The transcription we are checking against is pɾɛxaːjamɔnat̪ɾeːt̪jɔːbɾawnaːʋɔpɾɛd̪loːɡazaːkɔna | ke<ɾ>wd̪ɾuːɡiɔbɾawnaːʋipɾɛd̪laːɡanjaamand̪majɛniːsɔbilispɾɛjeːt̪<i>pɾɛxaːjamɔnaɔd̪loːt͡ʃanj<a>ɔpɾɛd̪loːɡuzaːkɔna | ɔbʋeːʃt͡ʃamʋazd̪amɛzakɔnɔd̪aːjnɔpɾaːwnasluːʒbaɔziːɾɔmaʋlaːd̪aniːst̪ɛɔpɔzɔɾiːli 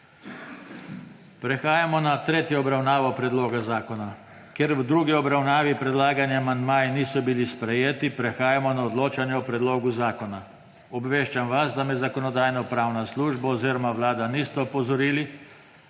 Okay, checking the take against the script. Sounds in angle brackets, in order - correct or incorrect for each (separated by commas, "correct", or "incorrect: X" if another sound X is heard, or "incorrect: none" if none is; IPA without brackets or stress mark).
correct, correct, incorrect: ɛ